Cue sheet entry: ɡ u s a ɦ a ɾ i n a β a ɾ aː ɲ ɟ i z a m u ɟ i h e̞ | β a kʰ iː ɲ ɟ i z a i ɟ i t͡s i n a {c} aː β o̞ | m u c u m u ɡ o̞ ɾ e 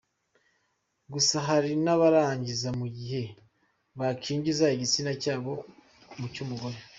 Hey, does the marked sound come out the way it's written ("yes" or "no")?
yes